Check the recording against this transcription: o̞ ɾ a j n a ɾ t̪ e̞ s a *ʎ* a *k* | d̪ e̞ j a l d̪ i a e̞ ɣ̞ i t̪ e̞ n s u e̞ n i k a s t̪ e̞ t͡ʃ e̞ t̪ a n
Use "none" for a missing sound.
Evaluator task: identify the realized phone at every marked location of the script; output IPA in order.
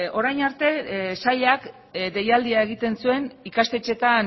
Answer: ʎ, k

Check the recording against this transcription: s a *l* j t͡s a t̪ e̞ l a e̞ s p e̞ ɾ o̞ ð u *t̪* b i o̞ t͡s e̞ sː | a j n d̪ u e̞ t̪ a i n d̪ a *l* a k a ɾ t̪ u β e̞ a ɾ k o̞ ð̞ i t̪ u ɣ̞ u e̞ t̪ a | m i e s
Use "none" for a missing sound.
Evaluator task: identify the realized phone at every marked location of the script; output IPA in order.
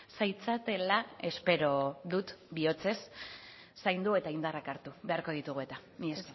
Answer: none, t̪, r

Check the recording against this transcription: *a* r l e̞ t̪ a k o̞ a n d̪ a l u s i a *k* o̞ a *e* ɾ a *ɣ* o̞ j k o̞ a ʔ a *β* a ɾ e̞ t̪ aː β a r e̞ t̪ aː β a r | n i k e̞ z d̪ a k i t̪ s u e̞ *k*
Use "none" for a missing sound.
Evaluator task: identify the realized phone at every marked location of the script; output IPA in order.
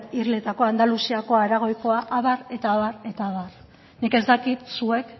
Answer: i, k, e, ɣ, β, k

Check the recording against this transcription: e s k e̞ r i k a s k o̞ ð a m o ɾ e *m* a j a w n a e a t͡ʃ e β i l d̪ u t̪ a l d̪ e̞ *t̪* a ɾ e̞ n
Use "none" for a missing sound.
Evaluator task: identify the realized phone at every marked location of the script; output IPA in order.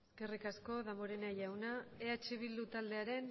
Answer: n, none

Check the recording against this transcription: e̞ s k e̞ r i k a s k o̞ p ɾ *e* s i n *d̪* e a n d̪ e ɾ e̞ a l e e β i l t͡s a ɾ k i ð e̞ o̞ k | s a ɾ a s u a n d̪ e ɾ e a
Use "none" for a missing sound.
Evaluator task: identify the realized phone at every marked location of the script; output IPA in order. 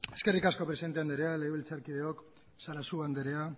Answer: e, t̪

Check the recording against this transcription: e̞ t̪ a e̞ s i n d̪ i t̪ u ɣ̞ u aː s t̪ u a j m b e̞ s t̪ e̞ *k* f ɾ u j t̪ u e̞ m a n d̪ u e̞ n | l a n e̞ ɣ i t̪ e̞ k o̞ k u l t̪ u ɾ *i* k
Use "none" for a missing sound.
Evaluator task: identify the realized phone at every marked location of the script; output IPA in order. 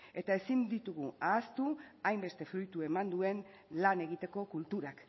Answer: none, a

